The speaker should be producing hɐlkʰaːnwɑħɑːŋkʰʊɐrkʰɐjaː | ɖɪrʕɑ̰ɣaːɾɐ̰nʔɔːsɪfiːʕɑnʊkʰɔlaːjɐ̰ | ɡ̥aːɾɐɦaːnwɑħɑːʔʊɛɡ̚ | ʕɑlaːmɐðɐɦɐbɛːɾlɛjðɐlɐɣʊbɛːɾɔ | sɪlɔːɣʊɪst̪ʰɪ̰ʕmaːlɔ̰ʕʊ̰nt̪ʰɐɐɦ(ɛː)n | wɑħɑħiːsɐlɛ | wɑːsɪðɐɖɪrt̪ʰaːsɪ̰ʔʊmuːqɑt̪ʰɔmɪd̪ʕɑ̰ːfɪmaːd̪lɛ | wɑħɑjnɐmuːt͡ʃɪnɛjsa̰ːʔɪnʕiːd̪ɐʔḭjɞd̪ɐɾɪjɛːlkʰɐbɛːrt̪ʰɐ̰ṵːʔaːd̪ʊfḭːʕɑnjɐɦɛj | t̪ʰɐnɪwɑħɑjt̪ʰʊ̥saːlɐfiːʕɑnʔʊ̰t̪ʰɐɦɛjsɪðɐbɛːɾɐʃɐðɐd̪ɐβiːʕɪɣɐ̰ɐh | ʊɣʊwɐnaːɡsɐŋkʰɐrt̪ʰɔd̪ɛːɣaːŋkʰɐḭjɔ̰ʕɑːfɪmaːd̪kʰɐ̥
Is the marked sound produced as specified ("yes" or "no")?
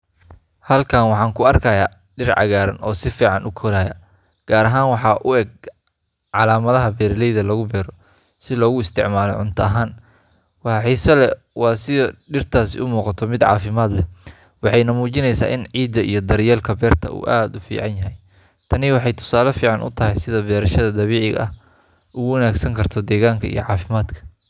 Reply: no